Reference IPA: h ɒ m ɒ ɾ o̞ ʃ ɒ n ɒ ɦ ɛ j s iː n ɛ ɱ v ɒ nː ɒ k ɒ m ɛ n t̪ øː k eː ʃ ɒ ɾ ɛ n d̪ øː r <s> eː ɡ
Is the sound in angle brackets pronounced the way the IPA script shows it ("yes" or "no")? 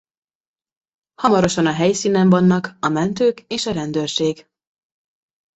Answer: no